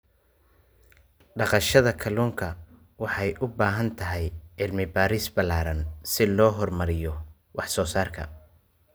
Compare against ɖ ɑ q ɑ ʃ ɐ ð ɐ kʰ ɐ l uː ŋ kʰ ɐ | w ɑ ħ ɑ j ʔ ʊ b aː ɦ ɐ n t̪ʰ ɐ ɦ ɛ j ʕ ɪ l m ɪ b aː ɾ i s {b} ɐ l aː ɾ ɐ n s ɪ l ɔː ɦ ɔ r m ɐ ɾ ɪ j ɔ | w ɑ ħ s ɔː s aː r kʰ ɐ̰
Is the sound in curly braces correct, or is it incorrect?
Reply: correct